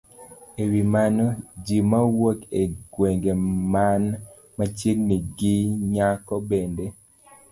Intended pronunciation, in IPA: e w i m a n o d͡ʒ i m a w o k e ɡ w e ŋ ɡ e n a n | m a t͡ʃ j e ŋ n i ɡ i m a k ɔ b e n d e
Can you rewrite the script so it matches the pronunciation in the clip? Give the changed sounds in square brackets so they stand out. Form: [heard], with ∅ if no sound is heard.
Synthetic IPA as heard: e w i m a n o d͡ʒ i m a w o k e ɡ w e ŋ ɡ e [m] a n | m a t͡ʃ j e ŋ n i ɡ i [ɲ] a k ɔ b e n d e